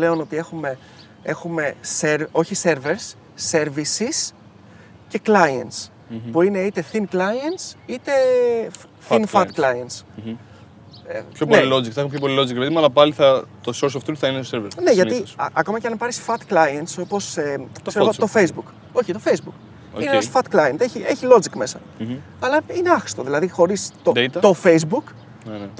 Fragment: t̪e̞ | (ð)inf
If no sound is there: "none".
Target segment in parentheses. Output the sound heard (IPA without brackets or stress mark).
θ